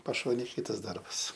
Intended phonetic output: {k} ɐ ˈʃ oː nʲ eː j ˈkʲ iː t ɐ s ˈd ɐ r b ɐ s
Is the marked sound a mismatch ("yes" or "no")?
yes